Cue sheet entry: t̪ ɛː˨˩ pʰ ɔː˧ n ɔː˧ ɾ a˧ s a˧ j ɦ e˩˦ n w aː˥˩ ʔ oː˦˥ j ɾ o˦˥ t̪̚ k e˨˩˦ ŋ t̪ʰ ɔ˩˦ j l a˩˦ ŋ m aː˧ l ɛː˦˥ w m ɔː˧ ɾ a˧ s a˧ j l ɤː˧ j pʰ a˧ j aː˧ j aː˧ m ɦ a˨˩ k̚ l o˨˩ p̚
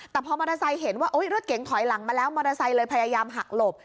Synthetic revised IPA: t̪ ɛː˨˩ pʰ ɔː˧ m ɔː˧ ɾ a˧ s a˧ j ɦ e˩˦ n w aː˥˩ ʔ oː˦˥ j ɾ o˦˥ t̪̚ k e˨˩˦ ŋ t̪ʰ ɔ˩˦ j l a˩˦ ŋ m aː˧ l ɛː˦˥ w m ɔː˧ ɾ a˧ s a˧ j l ɤː˧ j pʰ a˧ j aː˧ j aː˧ m ɦ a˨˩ k̚ l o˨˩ p̚